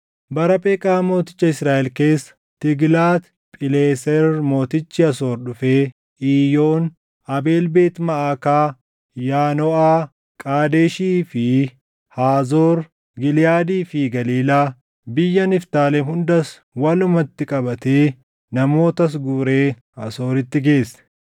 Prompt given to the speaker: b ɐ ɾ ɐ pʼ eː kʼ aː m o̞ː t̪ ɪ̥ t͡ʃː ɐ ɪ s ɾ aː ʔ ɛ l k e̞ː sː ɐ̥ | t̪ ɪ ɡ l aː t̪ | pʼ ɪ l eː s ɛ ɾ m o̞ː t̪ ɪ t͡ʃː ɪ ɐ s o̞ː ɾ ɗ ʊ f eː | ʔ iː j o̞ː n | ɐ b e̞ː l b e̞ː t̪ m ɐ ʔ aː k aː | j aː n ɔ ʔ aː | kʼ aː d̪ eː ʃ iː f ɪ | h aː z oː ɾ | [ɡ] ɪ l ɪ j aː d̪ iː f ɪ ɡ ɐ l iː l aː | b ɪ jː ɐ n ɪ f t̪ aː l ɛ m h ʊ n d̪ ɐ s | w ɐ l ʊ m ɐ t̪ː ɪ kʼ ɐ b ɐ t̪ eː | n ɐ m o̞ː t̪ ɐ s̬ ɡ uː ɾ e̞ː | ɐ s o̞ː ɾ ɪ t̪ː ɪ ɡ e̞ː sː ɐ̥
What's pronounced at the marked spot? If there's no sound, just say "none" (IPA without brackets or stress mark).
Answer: ɡ